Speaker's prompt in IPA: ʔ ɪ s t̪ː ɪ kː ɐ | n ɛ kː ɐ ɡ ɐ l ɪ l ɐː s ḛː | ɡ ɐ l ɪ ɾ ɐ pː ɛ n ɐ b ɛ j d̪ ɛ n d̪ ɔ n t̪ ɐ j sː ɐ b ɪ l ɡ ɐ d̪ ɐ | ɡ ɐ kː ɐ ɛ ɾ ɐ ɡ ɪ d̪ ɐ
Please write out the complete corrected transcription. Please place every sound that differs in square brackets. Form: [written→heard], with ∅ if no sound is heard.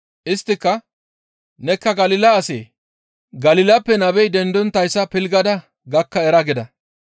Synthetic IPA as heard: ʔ ɪ s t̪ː ɪ kː ɐ | n ɛ kː ɐ ɡ ɐ l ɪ l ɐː s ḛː | ɡ ɐ l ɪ [ɾ→l] ɐ pː ɛ n ɐ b ɛ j d̪ ɛ n d̪ ɔ n t̪ ɐ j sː ɐ [b→p] ɪ l ɡ ɐ d̪ ɐ | ɡ ɐ kː ɐ ɛ ɾ ɐ ɡ ɪ d̪ ɐ